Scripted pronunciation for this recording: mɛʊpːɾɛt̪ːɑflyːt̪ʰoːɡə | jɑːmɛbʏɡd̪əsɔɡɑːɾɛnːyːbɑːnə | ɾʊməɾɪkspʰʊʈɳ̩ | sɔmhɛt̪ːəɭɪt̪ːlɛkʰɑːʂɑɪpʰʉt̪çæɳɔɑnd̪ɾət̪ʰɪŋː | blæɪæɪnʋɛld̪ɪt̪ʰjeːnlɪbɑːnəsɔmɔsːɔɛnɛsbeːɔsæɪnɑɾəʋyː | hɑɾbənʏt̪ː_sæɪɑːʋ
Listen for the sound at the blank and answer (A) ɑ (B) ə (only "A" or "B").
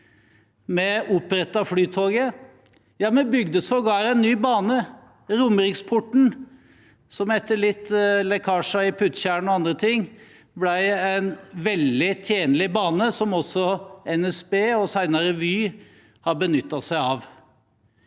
A